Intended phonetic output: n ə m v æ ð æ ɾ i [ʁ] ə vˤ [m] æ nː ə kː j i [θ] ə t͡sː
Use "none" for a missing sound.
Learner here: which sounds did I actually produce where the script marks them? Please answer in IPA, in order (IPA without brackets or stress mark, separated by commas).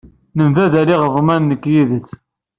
ʁ, m, ð